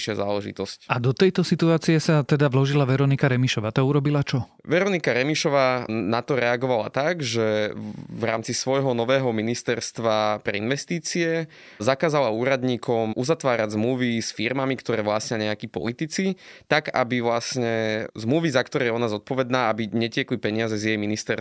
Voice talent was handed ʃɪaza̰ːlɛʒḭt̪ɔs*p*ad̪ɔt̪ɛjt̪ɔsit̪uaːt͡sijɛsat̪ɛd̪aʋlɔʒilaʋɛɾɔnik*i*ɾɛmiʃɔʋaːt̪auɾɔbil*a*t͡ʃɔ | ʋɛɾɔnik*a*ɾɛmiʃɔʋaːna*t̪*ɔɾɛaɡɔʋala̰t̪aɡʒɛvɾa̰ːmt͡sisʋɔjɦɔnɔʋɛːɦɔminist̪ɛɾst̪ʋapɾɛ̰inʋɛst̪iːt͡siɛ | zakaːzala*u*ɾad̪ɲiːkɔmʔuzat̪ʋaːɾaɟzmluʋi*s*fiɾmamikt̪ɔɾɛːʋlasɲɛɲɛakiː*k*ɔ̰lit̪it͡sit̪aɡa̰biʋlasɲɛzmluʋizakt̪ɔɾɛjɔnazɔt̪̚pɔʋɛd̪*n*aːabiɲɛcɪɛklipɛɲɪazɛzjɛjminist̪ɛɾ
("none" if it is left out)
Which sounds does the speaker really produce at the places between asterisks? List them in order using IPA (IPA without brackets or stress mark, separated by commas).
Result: c, a, a, a, t̪, uː, s, p, n